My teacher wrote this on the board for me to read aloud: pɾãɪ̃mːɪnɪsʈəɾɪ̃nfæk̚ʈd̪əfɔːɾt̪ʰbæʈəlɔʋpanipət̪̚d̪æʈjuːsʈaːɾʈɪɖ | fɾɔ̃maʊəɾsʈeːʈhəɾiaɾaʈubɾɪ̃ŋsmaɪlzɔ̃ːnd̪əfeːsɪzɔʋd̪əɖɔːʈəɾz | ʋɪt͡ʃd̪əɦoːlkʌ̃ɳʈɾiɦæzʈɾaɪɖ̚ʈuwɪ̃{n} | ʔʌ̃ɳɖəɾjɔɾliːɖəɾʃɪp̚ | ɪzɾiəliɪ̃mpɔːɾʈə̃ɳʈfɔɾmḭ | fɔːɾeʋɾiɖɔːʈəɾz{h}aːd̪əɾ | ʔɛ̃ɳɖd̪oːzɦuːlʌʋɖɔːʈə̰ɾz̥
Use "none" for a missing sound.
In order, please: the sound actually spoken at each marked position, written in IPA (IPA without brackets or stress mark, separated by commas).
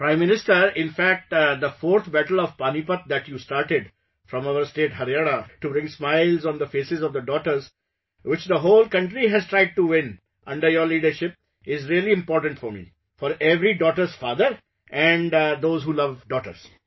n, f